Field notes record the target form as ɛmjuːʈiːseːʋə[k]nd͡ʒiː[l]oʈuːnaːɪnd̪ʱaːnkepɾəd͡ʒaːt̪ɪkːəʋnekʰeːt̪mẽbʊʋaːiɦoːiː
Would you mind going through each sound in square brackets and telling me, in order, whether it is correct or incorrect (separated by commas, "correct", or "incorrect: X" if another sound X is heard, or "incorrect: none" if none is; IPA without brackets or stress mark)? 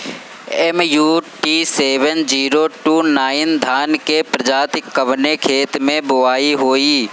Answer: incorrect: none, incorrect: ɾ